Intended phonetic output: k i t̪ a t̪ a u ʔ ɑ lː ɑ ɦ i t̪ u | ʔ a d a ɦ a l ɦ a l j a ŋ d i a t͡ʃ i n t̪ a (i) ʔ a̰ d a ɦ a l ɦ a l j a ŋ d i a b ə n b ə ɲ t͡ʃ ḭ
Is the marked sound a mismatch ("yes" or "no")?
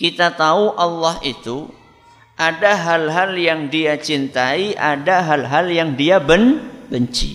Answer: no